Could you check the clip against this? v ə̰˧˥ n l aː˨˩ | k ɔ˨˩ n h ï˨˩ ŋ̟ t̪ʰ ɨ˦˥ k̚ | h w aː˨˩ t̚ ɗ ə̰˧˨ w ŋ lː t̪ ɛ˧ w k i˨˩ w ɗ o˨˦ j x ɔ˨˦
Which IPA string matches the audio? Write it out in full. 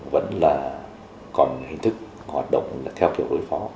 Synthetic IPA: v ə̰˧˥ n l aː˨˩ | k ɔ˨˩ n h ï˨˩ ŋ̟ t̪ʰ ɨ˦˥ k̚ | h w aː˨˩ t̚ ɗ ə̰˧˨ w ŋ͡m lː t̪ʰ ɛ˧ w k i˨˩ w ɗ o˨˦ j f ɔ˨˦